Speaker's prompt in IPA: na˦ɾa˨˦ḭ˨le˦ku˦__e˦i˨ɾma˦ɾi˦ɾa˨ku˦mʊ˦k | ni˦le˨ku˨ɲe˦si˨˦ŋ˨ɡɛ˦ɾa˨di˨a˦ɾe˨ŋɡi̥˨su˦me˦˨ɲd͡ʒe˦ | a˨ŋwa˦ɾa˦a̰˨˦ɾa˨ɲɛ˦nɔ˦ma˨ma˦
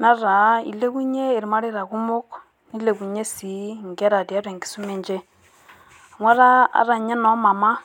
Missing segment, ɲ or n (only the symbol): ɲ